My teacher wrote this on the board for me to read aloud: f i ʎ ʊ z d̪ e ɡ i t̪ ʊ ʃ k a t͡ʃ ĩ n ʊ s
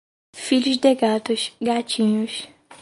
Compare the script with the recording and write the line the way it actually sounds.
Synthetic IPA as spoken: f i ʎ ʊ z d̪ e ɡ a t̪ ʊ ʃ ɡ a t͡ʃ ĩ ɲ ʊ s